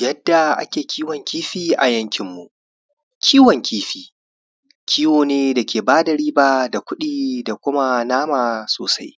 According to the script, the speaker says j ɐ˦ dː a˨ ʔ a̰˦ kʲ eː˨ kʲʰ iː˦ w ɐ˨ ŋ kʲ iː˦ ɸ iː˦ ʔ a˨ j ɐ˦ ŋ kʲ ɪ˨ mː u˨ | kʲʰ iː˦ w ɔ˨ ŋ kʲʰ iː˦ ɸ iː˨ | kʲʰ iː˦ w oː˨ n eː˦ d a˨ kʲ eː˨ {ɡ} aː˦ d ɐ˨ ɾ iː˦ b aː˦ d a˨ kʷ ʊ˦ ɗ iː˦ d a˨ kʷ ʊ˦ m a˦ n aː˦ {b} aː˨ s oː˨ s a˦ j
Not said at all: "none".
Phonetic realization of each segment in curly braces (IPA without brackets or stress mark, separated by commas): b, m